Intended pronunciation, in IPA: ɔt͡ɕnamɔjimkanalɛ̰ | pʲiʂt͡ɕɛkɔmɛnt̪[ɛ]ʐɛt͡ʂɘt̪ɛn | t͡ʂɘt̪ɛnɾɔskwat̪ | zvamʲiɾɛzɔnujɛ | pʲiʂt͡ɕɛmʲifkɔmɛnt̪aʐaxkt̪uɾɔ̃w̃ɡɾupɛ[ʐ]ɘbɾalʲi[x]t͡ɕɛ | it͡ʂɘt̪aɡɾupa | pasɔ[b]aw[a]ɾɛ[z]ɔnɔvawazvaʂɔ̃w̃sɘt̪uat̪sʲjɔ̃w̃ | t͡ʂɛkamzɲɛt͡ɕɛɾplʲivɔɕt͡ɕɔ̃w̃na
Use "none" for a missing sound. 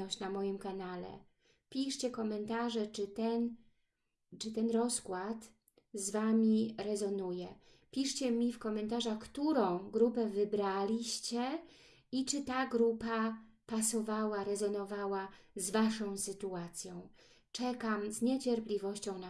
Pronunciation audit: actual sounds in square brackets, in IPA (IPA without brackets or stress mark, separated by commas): a, v, ɕ, v, a, z